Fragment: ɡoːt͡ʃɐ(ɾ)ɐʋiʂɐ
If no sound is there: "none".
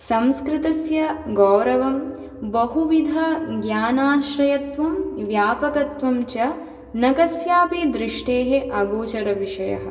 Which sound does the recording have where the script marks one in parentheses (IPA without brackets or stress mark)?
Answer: ɾ